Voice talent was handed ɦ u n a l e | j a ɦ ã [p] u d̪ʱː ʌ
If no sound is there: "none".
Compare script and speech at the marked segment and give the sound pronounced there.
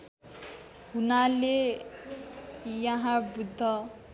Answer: b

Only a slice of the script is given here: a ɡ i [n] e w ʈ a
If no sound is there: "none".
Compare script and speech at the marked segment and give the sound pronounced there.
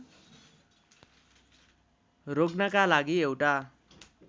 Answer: none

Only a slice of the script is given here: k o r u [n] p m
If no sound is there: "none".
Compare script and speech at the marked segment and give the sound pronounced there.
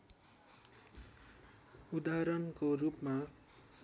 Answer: none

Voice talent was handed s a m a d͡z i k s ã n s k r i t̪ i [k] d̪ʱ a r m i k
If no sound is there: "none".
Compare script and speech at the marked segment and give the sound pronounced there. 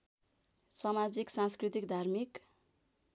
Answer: k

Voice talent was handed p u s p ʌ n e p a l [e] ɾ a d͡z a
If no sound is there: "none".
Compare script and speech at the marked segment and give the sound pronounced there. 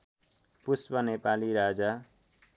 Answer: i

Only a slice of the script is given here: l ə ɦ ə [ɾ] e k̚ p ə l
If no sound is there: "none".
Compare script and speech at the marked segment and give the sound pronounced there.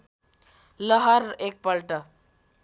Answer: ɾ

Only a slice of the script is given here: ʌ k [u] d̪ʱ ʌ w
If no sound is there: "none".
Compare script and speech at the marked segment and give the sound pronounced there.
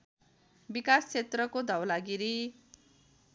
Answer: o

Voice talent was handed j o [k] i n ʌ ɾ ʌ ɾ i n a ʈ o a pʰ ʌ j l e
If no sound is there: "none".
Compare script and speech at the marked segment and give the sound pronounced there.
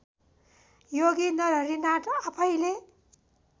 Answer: ɡ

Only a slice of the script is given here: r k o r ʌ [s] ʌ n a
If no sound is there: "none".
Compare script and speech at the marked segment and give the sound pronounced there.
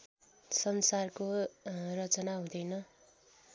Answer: t͡s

